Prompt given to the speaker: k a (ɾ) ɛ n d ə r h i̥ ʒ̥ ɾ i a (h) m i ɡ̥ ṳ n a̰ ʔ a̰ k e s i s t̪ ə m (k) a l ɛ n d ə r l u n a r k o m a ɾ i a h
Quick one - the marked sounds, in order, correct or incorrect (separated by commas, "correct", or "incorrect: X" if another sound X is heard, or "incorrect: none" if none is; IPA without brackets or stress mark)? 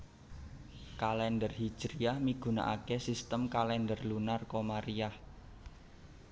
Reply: incorrect: l, correct, correct